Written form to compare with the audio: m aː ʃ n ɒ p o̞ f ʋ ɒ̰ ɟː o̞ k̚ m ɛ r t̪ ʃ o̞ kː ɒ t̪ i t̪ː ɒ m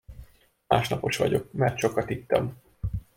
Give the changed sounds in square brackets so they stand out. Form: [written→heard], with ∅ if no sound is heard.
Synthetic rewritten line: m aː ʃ n ɒ p o̞ [f→ʃ] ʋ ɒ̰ [ɟː→ɟ] o̞ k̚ m ɛ r t̪ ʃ o̞ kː ɒ t̪ i t̪ː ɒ m